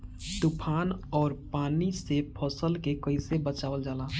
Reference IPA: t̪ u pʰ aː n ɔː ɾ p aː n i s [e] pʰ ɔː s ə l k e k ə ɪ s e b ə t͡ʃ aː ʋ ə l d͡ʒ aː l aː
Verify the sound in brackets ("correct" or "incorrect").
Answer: correct